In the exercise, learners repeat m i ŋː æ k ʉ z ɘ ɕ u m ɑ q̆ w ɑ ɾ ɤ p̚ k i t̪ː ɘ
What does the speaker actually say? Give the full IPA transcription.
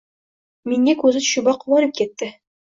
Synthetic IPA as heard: m i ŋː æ k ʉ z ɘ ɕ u b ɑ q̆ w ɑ ɾ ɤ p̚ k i t̪ː ɘ